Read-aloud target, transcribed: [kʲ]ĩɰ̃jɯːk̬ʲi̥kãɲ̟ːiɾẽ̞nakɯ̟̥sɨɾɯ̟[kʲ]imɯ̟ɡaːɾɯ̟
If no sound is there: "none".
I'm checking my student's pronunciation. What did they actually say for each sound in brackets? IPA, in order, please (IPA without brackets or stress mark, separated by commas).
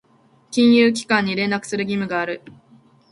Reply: kʲ, ɡʲ